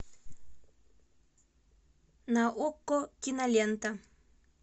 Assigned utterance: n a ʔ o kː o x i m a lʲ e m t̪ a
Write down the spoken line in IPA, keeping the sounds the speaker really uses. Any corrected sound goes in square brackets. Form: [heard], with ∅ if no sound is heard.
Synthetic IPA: n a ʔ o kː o [k] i [n] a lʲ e [n] t̪ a